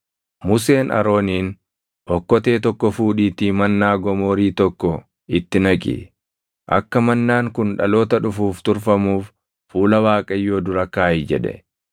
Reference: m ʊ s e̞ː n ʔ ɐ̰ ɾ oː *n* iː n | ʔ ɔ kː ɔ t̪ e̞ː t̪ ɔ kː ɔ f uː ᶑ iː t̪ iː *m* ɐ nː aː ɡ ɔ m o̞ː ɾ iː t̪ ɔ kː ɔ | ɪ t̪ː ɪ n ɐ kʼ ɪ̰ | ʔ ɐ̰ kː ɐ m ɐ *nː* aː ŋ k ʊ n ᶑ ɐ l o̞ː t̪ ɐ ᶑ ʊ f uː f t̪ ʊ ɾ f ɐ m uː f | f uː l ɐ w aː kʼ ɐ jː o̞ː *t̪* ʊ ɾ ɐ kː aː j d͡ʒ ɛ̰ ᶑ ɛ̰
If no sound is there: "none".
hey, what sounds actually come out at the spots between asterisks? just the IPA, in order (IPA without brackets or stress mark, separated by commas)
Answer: n, m, nː, d̪